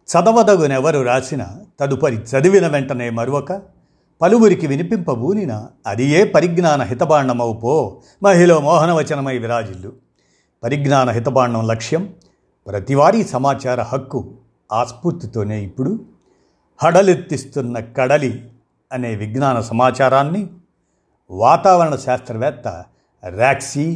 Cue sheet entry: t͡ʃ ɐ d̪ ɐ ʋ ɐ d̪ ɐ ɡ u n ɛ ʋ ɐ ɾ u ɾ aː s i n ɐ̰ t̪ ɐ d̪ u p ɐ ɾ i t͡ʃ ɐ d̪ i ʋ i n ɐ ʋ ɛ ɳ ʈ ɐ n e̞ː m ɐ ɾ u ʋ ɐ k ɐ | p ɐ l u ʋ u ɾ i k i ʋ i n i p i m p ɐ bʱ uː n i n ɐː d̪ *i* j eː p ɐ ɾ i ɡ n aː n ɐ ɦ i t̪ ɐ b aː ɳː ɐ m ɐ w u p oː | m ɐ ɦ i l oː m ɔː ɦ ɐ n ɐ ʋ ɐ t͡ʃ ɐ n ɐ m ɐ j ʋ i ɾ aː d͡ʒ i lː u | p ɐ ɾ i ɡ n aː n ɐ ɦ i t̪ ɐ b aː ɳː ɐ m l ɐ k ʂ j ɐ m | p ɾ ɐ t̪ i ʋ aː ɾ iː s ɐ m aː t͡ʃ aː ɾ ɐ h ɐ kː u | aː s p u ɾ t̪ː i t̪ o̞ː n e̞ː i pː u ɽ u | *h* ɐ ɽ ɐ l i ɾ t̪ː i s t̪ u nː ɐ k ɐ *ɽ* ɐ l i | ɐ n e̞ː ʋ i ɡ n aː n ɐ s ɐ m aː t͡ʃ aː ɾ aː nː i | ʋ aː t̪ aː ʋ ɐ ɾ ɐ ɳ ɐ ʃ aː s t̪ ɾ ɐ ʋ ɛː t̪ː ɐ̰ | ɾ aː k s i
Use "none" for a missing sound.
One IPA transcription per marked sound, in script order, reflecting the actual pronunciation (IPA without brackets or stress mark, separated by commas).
i, h, ɽ